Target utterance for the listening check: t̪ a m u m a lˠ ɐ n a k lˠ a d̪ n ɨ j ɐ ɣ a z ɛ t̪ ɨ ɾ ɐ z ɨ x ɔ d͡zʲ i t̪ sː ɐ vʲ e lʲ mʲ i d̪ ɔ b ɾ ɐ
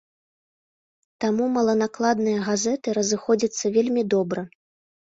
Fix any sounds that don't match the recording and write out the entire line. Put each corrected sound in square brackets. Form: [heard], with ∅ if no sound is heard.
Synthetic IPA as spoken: t̪ a m u m [ɐ] lˠ ɐ n a k lˠ a d̪ n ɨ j ɐ ɣ a z ɛ t̪ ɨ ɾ ɐ z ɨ x ɔ d͡zʲ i t̪ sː ɐ vʲ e lʲ mʲ i d̪ ɔ b ɾ ɐ